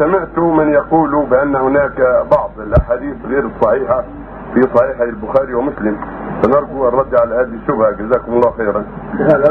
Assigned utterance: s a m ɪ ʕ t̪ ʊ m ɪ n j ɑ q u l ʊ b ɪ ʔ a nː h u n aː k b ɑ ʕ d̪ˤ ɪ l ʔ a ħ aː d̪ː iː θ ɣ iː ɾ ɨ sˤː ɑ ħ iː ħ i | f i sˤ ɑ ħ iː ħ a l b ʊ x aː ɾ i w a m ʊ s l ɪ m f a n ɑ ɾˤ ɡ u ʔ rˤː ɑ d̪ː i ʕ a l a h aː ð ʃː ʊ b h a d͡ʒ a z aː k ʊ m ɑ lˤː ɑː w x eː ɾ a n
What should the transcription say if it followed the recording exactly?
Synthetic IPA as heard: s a m ɪ ʕ t̪ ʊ m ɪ n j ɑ q uː l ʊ b ɪ ʔ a nː h ʊ n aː k b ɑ ʕ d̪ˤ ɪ l ʔ a ħ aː d̪ iː θ ɣ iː ɾ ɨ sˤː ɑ ħ iː ħ a | f i sˤ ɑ ħ iː ħ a l b ʊ x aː ɾ i w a m ʊ s l ɪ m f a n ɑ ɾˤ ɡ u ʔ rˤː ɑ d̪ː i ʕ a l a h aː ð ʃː ʊ b h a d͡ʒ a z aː k ʊ m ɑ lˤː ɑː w x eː ɾ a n